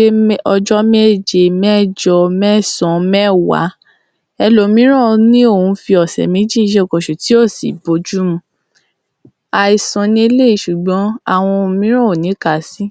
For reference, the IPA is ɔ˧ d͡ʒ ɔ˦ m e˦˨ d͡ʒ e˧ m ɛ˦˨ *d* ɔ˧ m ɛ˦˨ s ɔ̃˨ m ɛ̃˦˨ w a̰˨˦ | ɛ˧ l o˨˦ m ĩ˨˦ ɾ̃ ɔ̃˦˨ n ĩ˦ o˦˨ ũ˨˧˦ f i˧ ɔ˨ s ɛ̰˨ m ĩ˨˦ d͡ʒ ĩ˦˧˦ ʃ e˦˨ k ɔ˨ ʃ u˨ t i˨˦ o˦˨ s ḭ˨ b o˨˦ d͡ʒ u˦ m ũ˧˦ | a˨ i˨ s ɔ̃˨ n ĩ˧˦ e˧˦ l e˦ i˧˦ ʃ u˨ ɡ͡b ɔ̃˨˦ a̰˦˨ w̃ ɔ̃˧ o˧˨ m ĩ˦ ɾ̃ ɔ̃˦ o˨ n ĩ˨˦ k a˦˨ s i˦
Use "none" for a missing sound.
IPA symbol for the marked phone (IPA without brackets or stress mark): d͡ʒ